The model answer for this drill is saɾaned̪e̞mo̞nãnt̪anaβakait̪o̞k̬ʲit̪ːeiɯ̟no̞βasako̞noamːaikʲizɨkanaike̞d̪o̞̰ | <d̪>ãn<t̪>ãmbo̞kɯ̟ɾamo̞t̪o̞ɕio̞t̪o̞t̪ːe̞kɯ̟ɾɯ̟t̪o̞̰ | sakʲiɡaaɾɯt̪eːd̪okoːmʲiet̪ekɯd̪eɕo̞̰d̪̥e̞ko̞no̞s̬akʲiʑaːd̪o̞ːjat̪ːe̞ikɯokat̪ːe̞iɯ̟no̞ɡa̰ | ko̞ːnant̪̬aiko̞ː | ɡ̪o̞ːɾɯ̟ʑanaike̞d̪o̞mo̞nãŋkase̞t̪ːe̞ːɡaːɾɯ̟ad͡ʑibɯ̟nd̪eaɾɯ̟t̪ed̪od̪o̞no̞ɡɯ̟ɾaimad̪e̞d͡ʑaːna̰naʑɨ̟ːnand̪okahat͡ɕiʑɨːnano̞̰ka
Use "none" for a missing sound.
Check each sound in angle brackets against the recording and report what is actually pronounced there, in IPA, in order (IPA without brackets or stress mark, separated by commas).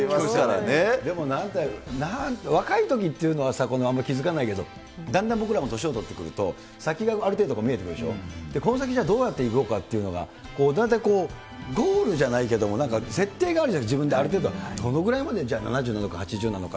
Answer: d̪, d̪